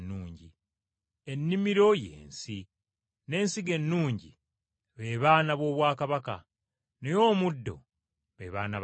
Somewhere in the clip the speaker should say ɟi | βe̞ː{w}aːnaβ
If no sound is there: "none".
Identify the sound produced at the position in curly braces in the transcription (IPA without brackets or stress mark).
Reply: β